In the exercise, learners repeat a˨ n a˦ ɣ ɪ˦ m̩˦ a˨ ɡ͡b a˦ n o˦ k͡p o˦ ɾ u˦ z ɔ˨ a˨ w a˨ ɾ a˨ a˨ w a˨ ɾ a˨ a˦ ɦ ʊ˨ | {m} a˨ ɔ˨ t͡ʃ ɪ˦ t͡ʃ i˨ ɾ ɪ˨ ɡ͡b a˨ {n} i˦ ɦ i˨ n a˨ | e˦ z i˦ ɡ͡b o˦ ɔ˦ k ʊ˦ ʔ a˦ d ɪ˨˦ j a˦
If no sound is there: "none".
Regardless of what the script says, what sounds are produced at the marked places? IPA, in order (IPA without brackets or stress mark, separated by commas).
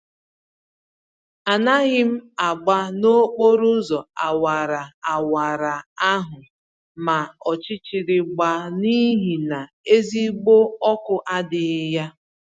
m, n